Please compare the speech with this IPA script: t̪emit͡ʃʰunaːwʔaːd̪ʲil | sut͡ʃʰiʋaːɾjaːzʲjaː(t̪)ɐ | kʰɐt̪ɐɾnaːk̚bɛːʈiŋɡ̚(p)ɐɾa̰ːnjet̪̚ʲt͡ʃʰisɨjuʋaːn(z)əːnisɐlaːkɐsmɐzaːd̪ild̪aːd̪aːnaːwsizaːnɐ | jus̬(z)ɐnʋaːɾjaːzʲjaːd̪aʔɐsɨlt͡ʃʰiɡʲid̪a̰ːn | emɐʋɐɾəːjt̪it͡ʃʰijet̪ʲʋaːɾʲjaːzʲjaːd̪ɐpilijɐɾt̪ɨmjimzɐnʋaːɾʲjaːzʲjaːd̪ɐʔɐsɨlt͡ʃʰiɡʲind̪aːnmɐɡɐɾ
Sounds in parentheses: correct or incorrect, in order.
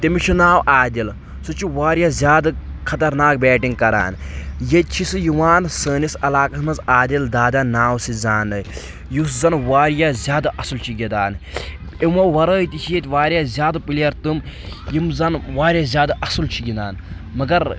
incorrect: d̪, incorrect: k, incorrect: s, correct

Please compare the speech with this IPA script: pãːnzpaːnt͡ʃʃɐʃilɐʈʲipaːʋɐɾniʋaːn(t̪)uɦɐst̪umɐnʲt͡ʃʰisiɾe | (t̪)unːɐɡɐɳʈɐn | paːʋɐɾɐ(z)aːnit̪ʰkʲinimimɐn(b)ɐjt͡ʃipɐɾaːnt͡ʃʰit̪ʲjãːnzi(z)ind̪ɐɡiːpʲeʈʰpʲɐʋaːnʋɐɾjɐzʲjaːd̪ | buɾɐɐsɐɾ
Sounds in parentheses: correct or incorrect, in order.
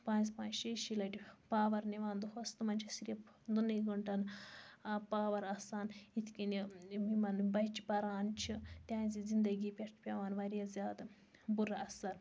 incorrect: d̪, incorrect: d̪, incorrect: s, correct, correct

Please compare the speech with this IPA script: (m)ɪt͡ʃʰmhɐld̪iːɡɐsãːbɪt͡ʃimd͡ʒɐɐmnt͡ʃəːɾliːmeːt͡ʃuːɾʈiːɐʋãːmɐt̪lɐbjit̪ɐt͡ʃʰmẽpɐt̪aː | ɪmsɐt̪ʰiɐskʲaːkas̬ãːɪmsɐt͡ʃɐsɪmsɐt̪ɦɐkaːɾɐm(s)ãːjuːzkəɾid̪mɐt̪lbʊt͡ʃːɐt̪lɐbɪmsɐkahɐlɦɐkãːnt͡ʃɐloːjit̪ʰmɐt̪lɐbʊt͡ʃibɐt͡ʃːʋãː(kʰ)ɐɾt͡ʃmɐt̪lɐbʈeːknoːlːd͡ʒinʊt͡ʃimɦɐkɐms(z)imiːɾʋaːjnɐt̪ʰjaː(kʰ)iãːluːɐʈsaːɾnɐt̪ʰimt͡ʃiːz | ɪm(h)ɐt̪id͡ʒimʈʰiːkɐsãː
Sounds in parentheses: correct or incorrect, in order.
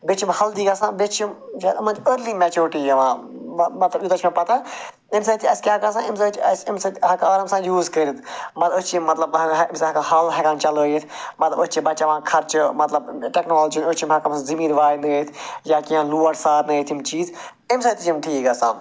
incorrect: b, correct, correct, correct, incorrect: k, incorrect: s

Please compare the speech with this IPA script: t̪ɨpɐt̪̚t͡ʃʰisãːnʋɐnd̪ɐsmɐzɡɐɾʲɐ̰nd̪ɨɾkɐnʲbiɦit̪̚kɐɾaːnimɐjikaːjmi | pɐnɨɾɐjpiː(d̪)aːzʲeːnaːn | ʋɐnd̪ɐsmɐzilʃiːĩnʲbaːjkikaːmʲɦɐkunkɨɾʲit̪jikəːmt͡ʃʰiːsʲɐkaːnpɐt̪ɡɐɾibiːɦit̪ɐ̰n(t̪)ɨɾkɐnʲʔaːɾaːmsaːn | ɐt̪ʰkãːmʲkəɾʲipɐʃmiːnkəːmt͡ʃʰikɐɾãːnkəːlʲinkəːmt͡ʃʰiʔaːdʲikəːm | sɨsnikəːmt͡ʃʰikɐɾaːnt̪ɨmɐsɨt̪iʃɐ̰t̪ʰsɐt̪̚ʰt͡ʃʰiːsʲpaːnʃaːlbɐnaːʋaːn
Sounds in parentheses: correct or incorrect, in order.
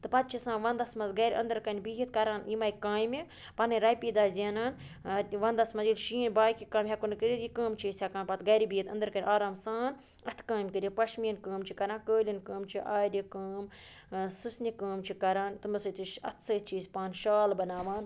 correct, incorrect: d̪

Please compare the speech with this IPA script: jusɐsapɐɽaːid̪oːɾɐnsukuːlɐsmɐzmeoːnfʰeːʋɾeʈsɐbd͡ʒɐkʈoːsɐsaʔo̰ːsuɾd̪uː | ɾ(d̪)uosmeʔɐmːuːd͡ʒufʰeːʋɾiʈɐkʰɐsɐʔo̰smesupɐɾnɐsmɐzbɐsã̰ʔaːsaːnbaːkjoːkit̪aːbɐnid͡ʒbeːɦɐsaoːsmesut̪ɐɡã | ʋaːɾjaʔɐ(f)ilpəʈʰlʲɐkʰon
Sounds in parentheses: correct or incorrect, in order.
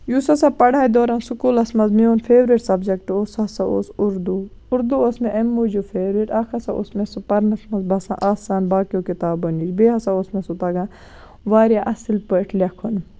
correct, incorrect: s

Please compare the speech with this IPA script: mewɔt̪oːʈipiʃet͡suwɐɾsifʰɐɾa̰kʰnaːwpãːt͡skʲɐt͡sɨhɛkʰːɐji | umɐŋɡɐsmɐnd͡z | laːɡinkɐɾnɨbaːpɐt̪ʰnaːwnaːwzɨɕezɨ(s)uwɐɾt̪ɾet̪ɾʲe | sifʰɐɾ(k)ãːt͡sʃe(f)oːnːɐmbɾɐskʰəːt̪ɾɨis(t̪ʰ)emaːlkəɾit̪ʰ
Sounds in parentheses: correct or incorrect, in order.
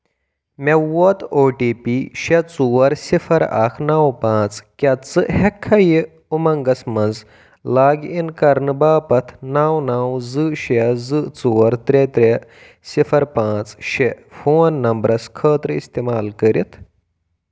incorrect: t͡s, incorrect: p, correct, incorrect: t̪

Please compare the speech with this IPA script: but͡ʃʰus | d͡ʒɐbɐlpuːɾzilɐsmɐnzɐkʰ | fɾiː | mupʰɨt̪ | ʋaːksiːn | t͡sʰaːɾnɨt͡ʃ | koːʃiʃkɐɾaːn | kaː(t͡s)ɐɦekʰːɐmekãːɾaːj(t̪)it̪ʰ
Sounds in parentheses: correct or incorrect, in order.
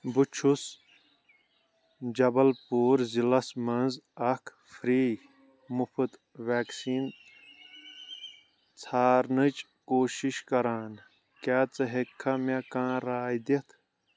correct, incorrect: d̪

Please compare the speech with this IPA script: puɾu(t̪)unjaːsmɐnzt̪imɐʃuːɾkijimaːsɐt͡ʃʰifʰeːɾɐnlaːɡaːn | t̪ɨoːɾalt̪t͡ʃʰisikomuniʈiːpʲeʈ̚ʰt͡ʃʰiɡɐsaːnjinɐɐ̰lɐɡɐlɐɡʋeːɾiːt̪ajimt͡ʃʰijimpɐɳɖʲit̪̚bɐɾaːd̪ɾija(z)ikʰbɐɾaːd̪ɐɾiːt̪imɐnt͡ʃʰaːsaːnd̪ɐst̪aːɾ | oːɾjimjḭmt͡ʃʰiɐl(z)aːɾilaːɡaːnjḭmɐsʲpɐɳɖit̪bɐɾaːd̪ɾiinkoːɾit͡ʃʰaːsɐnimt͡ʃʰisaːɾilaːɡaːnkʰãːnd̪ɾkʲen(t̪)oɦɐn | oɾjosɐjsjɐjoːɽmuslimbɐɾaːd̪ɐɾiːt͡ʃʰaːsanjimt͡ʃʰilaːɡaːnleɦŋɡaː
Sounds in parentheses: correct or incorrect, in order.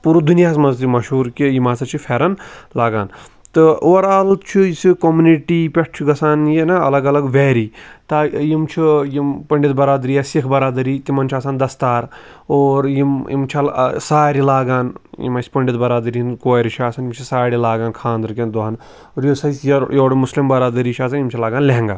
incorrect: d̪, incorrect: s, incorrect: s, incorrect: d̪

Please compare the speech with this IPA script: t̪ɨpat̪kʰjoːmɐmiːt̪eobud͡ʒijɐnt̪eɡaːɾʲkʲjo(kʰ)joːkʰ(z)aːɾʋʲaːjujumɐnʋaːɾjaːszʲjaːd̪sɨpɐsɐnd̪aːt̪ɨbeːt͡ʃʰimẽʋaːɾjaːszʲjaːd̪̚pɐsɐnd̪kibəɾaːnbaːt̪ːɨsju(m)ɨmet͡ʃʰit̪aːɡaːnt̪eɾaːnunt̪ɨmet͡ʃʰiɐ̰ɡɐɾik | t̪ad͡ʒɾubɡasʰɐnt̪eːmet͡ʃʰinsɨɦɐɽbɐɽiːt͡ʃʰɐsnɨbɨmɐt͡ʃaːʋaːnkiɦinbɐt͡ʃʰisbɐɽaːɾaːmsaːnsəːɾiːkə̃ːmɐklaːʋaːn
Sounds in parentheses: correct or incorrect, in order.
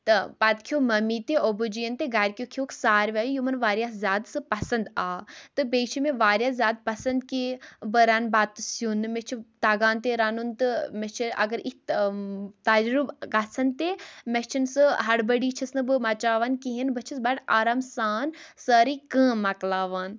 correct, incorrect: s, incorrect: n

